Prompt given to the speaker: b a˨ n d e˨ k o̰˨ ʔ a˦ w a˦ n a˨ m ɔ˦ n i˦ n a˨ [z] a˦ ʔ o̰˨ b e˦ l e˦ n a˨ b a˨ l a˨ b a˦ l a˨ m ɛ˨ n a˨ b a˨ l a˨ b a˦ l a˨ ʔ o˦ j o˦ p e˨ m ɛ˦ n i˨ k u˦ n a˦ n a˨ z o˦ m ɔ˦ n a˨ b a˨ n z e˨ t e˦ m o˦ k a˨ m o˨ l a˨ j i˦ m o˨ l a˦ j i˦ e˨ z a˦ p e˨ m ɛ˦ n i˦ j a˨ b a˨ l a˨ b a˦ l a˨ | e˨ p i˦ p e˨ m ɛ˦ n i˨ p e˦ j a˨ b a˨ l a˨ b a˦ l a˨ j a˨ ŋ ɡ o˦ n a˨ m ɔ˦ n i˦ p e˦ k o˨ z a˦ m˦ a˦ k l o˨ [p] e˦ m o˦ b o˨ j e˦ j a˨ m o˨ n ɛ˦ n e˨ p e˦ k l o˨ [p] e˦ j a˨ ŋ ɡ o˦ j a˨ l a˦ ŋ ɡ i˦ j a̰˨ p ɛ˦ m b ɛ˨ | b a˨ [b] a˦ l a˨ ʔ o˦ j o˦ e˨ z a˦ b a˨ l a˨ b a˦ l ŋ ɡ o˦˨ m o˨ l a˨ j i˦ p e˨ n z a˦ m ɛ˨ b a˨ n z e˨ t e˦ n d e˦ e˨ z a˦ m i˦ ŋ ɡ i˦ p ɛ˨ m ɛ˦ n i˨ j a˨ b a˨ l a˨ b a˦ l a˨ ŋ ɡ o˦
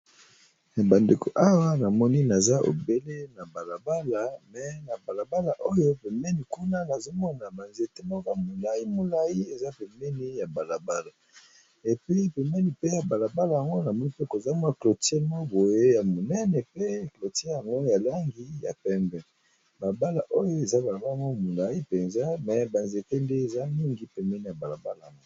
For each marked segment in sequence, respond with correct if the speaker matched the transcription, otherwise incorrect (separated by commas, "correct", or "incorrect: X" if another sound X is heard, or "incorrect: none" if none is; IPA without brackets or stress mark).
correct, incorrect: t, incorrect: t, correct